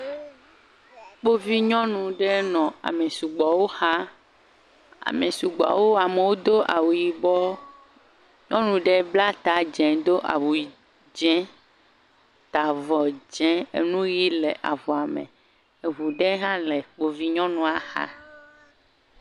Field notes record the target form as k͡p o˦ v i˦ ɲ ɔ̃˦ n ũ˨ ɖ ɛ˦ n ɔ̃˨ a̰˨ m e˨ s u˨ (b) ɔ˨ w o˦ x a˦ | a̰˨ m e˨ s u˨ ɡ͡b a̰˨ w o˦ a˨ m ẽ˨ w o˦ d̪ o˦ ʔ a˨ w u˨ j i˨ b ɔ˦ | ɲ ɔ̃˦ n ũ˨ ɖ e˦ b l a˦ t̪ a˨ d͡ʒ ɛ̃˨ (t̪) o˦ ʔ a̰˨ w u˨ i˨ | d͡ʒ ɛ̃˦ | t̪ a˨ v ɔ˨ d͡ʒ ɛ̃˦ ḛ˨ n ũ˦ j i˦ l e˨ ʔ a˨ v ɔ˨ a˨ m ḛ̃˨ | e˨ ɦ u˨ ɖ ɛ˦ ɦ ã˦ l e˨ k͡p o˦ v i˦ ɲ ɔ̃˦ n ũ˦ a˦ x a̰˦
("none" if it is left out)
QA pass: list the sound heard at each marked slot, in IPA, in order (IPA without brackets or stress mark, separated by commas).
ɡ͡b, d̪